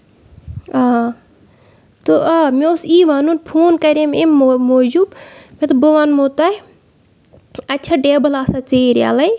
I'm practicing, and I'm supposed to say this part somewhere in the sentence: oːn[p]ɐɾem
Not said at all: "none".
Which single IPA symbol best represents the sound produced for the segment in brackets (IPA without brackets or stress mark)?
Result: k